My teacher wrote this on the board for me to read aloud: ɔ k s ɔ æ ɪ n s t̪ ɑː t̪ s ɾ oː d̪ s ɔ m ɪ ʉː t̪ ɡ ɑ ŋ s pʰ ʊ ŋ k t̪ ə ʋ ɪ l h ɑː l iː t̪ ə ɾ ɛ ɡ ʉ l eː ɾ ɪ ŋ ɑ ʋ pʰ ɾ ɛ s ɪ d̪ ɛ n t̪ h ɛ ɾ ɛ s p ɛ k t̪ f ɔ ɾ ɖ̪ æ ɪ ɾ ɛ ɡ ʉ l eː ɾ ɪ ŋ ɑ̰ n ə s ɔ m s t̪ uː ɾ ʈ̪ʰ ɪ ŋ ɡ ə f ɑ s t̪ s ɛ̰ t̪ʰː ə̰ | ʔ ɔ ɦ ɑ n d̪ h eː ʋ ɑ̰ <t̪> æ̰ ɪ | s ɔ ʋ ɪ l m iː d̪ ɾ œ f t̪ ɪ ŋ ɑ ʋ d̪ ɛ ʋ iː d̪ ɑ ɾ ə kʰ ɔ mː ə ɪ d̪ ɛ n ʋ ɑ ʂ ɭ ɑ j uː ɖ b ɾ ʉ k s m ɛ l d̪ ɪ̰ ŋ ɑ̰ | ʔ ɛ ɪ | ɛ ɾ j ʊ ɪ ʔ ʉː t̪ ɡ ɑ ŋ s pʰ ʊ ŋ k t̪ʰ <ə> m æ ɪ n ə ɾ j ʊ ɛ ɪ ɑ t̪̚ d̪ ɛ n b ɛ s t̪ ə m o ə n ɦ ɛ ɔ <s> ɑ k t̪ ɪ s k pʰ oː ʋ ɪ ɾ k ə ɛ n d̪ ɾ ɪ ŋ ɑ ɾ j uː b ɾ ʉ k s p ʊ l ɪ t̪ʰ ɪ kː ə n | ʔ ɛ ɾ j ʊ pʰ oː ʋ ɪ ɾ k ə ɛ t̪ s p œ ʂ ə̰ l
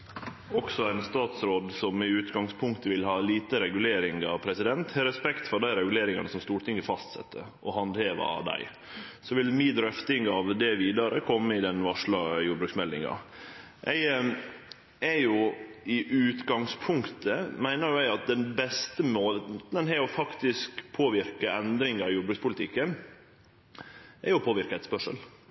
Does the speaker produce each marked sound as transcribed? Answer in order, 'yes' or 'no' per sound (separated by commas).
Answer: no, yes, no